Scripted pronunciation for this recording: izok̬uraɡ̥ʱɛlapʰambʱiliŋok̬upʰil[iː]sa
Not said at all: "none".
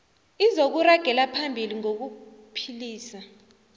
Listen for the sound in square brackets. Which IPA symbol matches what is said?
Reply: iː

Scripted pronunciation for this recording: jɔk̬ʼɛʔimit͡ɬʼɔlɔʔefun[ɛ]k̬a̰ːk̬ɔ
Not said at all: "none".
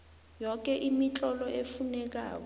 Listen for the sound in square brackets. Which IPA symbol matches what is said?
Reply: ɛ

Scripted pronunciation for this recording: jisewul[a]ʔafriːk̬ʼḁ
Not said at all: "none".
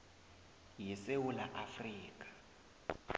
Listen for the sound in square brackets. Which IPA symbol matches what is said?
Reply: a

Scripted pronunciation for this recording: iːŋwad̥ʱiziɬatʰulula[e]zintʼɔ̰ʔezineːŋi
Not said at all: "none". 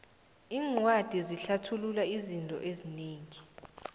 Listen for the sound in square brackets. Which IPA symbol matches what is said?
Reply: i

